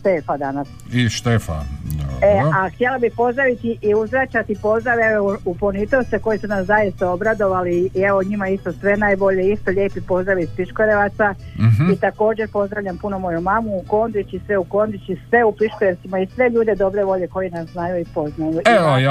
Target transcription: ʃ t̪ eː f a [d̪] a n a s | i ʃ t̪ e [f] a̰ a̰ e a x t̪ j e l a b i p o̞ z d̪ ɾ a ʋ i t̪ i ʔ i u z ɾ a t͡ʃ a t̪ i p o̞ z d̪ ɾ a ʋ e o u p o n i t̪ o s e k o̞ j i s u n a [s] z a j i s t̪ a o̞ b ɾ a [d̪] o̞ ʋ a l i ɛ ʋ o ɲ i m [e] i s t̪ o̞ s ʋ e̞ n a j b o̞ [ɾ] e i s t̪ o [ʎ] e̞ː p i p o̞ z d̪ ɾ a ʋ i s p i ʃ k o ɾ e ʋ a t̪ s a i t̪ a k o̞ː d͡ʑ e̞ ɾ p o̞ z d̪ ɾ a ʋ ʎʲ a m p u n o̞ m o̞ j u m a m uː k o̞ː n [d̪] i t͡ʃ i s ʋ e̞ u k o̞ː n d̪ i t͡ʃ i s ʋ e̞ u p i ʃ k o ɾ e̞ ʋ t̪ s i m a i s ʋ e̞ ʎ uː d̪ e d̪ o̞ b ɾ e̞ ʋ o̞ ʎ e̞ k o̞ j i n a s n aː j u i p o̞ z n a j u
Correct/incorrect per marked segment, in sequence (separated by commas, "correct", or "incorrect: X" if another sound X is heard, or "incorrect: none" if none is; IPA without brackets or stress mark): correct, correct, correct, correct, incorrect: a, incorrect: ʎ, correct, correct